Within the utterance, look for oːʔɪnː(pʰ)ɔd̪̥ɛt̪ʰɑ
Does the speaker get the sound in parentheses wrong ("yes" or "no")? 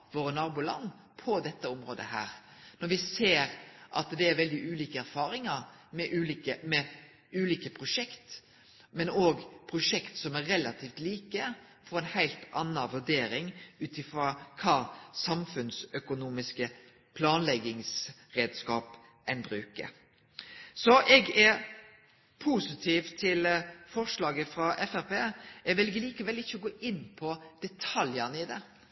no